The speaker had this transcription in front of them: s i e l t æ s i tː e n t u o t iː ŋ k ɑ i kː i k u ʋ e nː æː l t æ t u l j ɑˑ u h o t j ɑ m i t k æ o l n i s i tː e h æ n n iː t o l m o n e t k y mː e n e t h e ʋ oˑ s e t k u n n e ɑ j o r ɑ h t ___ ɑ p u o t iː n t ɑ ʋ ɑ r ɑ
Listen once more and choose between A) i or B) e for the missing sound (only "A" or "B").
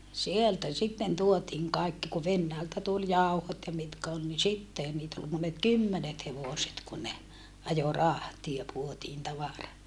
A